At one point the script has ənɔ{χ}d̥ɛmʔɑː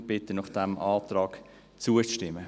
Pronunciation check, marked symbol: correct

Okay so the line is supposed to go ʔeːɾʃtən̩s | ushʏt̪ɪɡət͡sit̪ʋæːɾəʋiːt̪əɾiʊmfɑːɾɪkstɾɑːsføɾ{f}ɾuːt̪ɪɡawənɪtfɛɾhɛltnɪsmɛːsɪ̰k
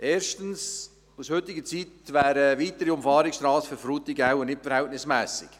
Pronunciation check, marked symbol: correct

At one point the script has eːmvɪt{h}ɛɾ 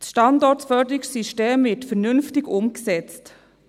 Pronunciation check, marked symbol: incorrect: f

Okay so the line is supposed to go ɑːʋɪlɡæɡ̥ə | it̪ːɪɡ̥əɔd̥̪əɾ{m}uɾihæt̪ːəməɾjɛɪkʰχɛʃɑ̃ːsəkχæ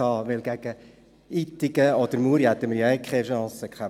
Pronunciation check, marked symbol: correct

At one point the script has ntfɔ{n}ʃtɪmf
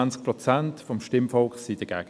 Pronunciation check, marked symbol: incorrect: m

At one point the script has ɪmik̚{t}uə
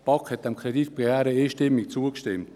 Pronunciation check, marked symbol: incorrect: t͡s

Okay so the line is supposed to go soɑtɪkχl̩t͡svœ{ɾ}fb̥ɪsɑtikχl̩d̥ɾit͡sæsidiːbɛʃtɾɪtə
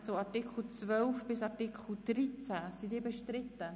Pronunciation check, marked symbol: incorrect: l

